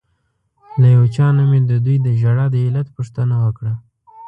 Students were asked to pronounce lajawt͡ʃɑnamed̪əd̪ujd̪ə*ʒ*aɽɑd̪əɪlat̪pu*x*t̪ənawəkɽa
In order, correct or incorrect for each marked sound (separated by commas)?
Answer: correct, incorrect